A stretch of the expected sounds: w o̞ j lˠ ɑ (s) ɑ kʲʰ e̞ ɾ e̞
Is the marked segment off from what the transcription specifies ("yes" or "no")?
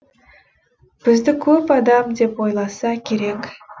no